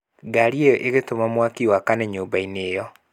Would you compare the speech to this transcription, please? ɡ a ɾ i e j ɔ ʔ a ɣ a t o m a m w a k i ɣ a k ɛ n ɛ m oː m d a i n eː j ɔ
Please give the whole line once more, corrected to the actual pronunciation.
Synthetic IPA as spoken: ɡ a ɾ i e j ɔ ʔ e ɣ e t o m a m w a k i w a k a n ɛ ɲ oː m b a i n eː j ɔ